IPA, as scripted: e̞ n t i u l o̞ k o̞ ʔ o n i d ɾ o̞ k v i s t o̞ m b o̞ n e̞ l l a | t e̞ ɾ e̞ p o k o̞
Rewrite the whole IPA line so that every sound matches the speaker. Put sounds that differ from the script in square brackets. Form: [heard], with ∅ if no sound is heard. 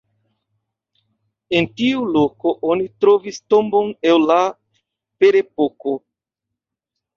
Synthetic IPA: e̞ n t i u l o̞ k o̞ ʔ o n i [t] ɾ o̞ [∅] v i s t o̞ m b o̞ n e̞ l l a | [p] e̞ ɾ e̞ p o k o̞

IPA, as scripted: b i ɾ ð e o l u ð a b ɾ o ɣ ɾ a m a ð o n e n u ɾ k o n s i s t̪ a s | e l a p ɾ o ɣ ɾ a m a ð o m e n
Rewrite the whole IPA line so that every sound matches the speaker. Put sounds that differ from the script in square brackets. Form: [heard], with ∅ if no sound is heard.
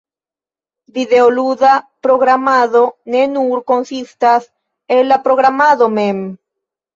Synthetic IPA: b i [∅] ð e o l u ð a [p] ɾ o ɣ ɾ a m a ð o n e n u ɾ k o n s i s t̪ a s | e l a p ɾ o ɣ ɾ a m a ð o m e [m]

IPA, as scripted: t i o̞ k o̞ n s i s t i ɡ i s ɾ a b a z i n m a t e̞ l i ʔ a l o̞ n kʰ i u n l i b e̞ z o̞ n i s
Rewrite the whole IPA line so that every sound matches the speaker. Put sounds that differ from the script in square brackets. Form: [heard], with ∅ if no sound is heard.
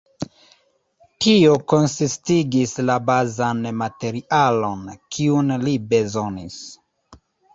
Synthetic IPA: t i o̞ k o̞ n s i s t i ɡ i s [l] a b a z [a] n m a t e̞ [ɾ] i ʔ a l o̞ n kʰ i u n l i b e̞ z o̞ n i s

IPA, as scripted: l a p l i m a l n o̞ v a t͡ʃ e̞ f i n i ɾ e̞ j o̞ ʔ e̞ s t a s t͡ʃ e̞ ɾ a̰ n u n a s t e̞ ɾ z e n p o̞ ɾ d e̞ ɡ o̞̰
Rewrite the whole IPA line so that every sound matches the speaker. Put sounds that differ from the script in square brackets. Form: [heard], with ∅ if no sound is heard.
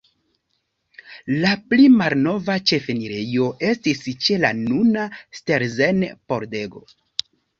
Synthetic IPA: l a p l i m a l n o̞ v a t͡ʃ e̞ f [e] n i ɾ e̞ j o̞ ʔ e̞ s t [i] s t͡ʃ e̞ [l] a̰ n u n a s t e̞ ɾ z e n p o̞ ɾ d e̞ ɡ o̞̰

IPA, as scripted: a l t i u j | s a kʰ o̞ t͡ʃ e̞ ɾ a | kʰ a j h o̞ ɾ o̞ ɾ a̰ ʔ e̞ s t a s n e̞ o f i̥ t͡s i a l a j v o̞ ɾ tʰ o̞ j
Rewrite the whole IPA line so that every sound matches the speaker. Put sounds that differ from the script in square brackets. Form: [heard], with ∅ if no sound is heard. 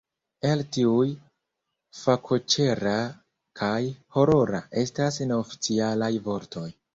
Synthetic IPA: [e] l t i u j | [f] a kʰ o̞ t͡ʃ e̞ ɾ a | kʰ a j h o̞ ɾ o̞ ɾ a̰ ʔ e̞ s t a s n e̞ o f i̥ t͡s i a l a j v o̞ ɾ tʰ o̞ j

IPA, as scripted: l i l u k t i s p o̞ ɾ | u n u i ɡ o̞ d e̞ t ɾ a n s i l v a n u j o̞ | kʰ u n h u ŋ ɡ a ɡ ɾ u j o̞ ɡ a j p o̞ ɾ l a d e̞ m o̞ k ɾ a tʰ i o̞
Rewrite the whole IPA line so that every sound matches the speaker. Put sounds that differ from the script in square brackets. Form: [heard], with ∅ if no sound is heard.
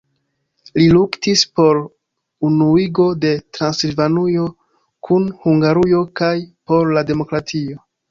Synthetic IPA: l i l u k t i s p o̞ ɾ | u n u i ɡ o̞ d e̞ t ɾ a n s i l v a n u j o̞ | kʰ u n h u ŋ ɡ a [∅] ɾ u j o̞ [k] a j p o̞ ɾ l a d e̞ m o̞ k ɾ a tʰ i o̞

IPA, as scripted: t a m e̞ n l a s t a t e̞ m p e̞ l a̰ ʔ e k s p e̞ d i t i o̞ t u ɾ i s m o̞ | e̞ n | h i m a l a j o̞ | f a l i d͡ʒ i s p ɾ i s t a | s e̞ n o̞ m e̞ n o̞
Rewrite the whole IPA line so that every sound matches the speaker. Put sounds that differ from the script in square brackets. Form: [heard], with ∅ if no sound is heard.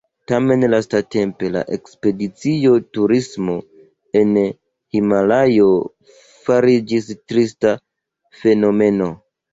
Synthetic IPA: t a m e̞ n l a s t a t e̞ m p e̞ l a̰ ʔ e k s p e̞ d i [t͡s] i o̞ t u ɾ i s m o̞ | e̞ n | h i m a l a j o̞ | f a [ɾ] i d͡ʒ i s [t] ɾ i s t a | [f] e̞ n o̞ m e̞ n o̞

